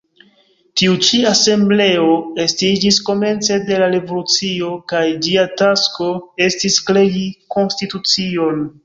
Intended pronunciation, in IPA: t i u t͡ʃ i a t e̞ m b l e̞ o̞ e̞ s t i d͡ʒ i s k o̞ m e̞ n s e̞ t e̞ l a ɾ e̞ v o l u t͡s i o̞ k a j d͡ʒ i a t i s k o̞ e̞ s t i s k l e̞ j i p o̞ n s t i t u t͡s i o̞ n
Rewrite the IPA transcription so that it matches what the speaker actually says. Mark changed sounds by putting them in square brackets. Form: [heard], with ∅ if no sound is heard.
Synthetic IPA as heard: t i u t͡ʃ i a [s] e̞ m b l e̞ o̞ e̞ s t i d͡ʒ i s k o̞ m e̞ n [t͡s] e̞ [d] e̞ l a ɾ e̞ v o l u t͡s i o̞ k a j d͡ʒ i a t [a] s k o̞ e̞ s t i s k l e̞ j i [k] o̞ n s t i t u t͡s i o̞ n